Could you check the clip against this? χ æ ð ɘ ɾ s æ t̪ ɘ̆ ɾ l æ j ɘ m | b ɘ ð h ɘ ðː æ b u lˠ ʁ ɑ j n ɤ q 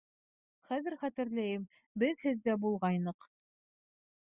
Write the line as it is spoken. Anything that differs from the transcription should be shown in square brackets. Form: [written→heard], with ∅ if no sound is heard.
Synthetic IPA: χ æ ð ɘ ɾ [s→χ] æ t̪ ɘ̆ ɾ l æ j ɘ m | b ɘ ð h ɘ ðː æ b u lˠ ʁ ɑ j n ɤ q